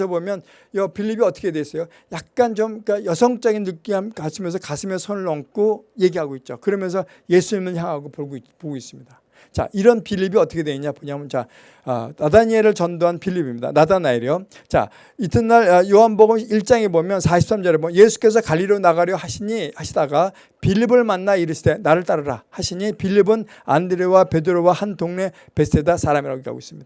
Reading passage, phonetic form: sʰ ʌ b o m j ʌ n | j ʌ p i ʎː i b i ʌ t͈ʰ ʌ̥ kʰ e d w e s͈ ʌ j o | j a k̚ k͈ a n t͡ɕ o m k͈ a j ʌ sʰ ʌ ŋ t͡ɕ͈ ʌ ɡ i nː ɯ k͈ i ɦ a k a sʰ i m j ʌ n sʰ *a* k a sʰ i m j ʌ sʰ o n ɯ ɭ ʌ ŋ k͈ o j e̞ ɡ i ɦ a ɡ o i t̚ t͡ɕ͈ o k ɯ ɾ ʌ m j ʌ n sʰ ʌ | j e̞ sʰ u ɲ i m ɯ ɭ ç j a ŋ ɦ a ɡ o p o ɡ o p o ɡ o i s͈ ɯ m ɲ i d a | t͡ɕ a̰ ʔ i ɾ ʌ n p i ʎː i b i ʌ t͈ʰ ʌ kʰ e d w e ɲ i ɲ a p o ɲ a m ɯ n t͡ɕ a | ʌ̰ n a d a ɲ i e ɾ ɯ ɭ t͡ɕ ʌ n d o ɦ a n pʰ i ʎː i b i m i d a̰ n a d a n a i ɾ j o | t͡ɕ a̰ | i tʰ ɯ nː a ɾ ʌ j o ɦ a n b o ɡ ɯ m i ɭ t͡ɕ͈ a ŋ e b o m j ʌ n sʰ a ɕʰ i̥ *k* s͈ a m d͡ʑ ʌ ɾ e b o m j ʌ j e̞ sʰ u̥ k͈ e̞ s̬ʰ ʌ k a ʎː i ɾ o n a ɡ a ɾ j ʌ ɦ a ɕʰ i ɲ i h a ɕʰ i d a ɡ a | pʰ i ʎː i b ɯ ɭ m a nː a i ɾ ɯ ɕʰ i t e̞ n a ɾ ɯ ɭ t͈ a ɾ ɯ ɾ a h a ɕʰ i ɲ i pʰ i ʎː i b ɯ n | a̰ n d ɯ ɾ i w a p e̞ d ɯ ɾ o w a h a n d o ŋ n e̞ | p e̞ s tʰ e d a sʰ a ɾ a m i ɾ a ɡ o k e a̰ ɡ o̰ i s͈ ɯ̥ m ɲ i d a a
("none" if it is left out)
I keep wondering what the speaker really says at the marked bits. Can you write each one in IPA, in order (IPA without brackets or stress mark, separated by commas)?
ʌ, p